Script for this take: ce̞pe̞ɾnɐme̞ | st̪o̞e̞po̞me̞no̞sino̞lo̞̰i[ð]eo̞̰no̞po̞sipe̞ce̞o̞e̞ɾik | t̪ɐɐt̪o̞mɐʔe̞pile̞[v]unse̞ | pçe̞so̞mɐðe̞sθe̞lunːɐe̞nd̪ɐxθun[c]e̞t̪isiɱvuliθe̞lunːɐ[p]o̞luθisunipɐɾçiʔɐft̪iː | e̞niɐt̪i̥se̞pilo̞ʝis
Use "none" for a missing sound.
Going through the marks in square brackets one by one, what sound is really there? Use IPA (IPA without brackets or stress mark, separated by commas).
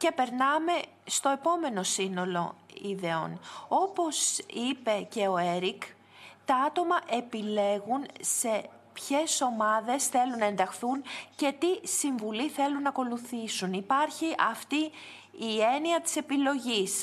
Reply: ð, ɣ, c, k